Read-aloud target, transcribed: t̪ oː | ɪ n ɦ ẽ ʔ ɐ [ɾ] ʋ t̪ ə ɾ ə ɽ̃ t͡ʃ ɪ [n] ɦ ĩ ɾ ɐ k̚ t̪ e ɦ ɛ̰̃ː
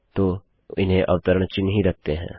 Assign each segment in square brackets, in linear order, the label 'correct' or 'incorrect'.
incorrect: none, correct

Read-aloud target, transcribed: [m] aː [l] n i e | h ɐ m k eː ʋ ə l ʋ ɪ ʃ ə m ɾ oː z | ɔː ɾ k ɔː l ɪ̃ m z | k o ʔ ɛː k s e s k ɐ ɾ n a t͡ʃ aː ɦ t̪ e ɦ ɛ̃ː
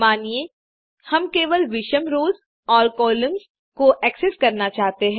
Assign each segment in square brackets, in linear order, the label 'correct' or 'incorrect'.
correct, incorrect: none

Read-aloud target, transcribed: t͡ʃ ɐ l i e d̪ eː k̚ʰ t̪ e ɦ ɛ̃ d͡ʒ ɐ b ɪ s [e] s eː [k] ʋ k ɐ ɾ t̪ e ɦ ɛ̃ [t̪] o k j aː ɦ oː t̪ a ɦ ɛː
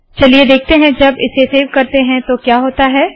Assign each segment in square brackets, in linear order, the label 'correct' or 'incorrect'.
correct, incorrect: none, correct

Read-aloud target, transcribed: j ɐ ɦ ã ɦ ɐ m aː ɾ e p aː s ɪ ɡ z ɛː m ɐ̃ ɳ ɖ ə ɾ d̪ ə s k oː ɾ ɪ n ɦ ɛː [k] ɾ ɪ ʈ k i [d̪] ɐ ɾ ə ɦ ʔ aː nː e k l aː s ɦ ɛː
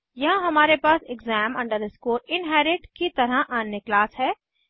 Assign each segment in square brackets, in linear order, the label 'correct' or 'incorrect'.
incorrect: none, incorrect: t̪

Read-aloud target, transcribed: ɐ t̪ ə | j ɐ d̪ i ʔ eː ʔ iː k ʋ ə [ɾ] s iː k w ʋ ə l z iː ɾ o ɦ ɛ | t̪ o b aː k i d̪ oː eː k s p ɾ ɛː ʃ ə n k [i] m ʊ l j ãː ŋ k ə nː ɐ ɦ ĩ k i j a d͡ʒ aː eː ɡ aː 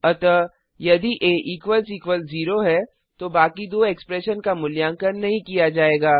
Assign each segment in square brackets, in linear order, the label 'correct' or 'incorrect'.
incorrect: l, incorrect: a

